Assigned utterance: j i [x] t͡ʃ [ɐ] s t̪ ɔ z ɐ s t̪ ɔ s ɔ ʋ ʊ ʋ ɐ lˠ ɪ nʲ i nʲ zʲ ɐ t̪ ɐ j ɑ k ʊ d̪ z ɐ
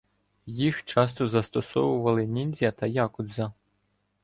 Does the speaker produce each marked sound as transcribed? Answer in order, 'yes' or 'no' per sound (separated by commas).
yes, no